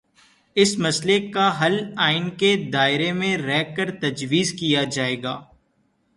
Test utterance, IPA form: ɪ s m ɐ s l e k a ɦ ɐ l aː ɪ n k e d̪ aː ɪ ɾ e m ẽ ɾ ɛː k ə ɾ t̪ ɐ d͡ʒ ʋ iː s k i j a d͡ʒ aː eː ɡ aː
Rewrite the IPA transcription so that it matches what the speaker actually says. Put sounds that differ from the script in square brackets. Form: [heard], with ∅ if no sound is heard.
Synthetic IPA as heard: ɪ s m ɐ s l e k a ɦ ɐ l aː ɪ n k e d̪ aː ɪ ɾ e m ẽ ɾ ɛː k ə ɾ t̪ ɐ d͡ʒ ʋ iː [z] k i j a d͡ʒ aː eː ɡ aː